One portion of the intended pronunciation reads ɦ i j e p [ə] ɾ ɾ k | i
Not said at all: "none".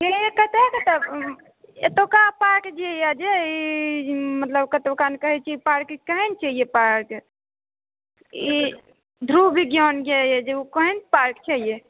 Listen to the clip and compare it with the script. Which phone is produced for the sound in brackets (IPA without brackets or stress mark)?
a